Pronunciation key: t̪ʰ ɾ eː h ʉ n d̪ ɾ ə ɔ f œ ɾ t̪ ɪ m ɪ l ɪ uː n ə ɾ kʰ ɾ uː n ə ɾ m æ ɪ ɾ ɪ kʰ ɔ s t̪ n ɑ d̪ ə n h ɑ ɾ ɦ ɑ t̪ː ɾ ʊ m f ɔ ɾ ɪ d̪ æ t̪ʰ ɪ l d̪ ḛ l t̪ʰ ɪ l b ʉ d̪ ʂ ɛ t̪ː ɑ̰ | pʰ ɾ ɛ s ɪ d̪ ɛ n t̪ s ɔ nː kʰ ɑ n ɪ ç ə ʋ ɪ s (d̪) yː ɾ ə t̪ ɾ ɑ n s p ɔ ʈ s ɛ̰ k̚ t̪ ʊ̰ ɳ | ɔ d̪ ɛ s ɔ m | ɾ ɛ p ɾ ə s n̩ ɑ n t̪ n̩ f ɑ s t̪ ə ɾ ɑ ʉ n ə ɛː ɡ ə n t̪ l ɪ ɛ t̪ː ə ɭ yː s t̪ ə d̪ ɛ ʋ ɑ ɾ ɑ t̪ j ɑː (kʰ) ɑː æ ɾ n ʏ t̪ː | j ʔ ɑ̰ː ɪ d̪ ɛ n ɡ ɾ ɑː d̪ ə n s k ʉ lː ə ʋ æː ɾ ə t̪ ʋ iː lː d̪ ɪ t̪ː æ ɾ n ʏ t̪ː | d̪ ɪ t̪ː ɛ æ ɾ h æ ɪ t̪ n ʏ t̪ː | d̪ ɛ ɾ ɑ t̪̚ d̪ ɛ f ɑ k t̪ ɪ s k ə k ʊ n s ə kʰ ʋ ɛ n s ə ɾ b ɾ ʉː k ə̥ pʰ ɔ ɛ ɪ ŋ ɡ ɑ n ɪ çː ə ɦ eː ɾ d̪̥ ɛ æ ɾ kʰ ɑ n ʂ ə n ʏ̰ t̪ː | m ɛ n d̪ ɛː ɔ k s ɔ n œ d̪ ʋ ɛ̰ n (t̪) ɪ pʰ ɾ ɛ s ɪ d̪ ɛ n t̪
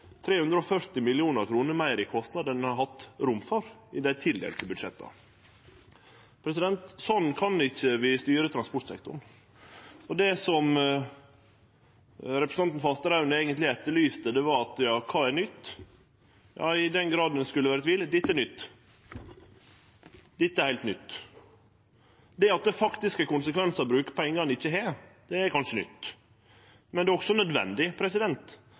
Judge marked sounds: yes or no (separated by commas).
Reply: no, yes, no